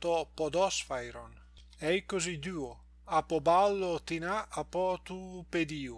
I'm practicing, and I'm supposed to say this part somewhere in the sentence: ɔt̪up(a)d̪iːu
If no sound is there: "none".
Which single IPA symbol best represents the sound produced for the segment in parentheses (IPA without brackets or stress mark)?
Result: e